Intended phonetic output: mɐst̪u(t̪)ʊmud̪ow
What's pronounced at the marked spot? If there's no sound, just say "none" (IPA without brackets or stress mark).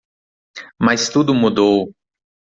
d̪